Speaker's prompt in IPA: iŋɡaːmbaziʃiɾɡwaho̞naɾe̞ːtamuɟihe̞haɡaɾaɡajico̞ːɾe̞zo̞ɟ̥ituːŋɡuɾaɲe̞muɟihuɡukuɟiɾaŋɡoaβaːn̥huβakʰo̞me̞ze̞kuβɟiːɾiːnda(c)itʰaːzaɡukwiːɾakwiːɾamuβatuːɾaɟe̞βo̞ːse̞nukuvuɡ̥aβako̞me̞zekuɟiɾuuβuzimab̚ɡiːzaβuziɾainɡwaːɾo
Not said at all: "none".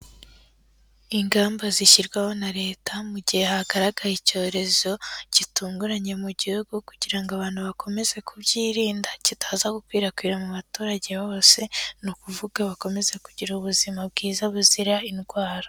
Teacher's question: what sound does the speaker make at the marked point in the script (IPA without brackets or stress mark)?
c